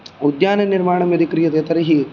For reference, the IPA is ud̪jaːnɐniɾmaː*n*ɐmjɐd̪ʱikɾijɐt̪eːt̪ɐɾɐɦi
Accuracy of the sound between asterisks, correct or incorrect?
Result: incorrect